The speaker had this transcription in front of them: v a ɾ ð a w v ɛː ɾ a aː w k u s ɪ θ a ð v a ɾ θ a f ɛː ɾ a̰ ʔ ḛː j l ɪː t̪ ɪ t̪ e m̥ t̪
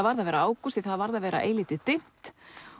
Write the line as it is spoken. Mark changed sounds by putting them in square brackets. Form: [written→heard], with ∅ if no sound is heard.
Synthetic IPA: v a ɾ ð a [w→∅] v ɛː ɾ a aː w k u s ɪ θ a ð v a ɾ [θ→ð] a [f→v] ɛː ɾ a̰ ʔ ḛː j l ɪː t̪ ɪ t̪ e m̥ t̪